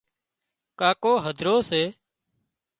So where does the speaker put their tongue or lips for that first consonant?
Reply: velum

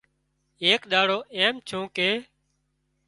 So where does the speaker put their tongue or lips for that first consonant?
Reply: velum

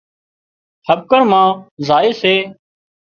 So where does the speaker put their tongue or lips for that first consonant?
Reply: throat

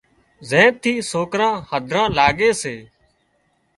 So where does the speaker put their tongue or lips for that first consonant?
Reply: tongue tip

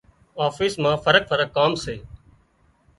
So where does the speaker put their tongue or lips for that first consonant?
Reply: lips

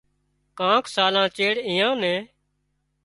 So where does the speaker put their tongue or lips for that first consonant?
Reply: velum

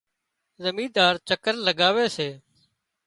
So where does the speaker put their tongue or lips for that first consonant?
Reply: tongue tip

